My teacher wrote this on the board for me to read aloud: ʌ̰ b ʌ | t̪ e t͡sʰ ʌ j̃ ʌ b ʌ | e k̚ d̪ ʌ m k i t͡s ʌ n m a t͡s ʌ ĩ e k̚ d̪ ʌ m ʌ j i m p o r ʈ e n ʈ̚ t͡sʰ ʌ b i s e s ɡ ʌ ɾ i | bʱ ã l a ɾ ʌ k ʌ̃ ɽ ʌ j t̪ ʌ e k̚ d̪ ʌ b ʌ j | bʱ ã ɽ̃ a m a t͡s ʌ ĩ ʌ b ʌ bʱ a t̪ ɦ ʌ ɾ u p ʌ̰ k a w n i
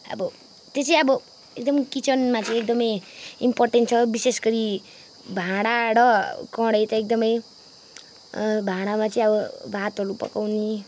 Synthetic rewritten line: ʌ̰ b ʌ | t̪ e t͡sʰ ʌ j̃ ʌ b ʌ | e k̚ d̪ ʌ m k i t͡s ʌ n m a t͡s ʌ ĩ e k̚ d̪ ʌ m ʌ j i m p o r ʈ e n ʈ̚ t͡sʰ ʌ b i s e s ɡ ʌ ɾ i | bʱ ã ɽ a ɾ ʌ k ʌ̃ ɽ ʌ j t̪ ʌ e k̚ d̪ ʌ m ʌ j | bʱ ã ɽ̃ a m a t͡s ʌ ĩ ʌ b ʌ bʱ a t̪ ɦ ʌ ɾ u p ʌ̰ k a w n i